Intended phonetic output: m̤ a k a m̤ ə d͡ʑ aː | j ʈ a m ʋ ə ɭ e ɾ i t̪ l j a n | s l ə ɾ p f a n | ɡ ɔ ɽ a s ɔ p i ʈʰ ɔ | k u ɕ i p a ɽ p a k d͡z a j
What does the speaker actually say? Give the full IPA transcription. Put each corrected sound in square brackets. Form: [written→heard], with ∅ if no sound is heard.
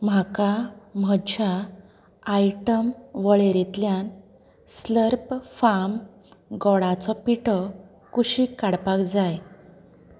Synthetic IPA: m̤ a k a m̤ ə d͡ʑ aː | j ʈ [a→ə] m ʋ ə ɭ e ɾ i t̪ l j a n | s l ə ɾ p f a [n→m] | ɡ ɔ ɽ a [s→t͡s] ɔ p i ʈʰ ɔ | k u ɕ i [p→k] a ɽ p a k d͡z a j